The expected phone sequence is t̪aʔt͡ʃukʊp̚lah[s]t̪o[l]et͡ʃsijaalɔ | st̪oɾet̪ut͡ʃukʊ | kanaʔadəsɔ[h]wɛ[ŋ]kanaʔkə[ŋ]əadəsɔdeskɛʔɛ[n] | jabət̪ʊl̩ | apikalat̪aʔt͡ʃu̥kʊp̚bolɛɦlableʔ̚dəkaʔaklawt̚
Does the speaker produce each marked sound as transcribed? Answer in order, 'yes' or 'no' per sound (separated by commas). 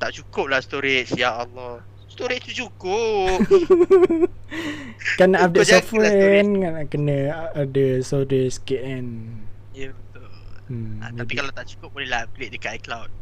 yes, no, no, no, no, yes